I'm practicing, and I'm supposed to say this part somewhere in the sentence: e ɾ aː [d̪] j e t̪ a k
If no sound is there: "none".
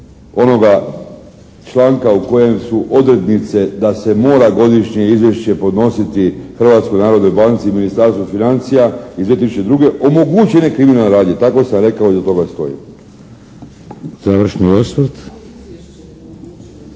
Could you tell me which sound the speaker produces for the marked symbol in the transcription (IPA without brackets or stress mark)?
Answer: d̪